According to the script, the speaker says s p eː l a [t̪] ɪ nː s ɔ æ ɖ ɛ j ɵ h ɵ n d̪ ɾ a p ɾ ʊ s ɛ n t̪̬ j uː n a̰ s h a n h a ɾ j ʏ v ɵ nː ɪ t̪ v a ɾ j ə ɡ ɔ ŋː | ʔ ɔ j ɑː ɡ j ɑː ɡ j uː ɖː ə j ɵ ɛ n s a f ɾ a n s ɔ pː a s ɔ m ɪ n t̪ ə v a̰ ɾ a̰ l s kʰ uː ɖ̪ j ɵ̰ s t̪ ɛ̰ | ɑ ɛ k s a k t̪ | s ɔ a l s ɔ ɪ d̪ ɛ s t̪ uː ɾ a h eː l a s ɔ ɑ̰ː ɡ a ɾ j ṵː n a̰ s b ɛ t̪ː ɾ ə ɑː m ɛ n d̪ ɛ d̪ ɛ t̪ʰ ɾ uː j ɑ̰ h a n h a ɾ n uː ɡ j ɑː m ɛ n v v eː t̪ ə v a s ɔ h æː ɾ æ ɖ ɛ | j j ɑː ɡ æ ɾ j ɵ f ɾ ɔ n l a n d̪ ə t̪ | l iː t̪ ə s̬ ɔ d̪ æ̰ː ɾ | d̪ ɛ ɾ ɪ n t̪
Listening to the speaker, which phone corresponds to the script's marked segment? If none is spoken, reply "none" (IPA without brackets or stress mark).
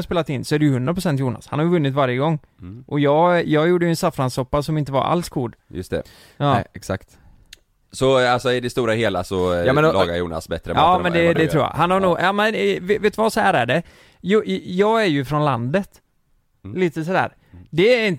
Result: t̪